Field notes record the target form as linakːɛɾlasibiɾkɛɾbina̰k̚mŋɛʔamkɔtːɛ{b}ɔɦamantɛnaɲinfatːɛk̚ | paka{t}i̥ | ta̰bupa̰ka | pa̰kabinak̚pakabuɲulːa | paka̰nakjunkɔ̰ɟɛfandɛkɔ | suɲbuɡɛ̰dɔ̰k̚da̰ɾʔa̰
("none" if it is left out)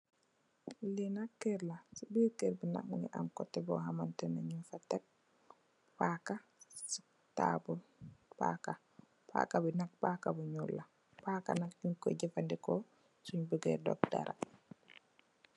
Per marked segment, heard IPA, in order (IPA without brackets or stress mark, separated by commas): b, s